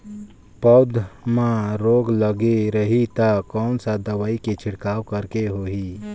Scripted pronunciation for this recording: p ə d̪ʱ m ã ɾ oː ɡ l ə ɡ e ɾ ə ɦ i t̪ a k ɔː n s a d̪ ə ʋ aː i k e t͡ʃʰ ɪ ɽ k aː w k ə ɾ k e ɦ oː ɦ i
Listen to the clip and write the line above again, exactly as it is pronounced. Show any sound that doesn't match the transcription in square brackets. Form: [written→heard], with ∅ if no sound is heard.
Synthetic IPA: p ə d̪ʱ m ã ɾ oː ɡ l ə ɡ e ɾ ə ɦ i t̪ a k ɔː n s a d̪ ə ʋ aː i k e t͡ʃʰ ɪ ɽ k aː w k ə ɾ k e ɦ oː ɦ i